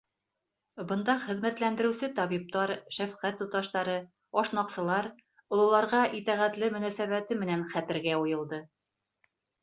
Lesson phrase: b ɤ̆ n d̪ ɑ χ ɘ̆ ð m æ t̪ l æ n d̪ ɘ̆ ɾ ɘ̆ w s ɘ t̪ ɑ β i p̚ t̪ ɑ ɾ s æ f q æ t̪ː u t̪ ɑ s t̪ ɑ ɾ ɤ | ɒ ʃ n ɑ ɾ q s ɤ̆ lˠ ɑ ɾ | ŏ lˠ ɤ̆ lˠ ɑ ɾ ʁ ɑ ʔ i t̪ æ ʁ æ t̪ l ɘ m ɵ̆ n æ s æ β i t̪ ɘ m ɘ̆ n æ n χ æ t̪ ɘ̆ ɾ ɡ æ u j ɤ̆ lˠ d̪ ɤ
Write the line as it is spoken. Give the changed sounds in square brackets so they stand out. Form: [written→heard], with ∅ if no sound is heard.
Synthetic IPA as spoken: b ɤ̆ n d̪ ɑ χ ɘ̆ ð m æ t̪ l æ n d̪ ɘ̆ ɾ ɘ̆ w s ɘ t̪ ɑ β i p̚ t̪ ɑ ɾ [s→ʃ] æ f q æ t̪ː u t̪ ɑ [s→ʃ] t̪ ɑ ɾ ɤ | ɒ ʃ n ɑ [ɾ→∅] q s ɤ̆ lˠ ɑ ɾ | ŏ lˠ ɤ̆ lˠ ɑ ɾ ʁ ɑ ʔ i t̪ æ ʁ æ t̪ l ɘ m ɵ̆ n æ s æ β [i→æ] t̪ ɘ m ɘ̆ n æ n χ æ t̪ ɘ̆ ɾ ɡ æ u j ɤ̆ lˠ d̪ ɤ